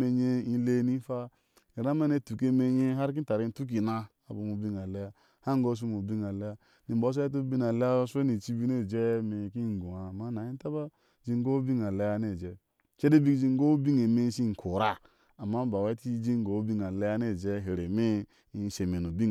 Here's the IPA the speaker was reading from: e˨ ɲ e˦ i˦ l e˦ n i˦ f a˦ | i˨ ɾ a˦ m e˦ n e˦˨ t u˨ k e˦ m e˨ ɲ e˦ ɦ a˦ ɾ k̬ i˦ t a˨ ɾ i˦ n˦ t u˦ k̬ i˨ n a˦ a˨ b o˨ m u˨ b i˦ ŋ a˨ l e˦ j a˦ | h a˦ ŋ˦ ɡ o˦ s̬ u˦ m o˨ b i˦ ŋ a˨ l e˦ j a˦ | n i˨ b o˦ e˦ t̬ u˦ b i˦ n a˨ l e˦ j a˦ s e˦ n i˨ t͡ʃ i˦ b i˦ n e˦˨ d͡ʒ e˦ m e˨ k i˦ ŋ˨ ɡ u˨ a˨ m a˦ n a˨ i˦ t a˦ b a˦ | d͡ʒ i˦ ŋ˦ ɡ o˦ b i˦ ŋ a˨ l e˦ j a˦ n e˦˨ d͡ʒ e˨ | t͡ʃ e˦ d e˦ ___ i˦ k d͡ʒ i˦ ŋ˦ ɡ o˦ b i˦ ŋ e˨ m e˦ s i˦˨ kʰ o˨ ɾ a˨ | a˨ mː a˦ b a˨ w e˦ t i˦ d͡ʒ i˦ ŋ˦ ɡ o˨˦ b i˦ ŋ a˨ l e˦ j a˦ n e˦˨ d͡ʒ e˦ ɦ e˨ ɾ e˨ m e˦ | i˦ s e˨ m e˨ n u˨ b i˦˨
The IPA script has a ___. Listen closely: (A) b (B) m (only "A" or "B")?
A